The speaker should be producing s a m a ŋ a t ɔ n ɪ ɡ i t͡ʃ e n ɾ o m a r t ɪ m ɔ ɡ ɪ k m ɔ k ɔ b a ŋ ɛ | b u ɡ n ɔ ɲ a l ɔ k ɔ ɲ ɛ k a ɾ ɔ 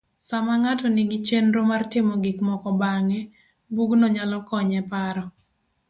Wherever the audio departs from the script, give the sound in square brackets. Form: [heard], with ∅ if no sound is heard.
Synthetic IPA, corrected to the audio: s a m a ŋ a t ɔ n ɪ ɡ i t͡ʃ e n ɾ o m a r t ɪ m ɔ ɡ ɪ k m ɔ k ɔ b a ŋ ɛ | b u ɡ n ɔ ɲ a l ɔ k ɔ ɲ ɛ [p] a ɾ ɔ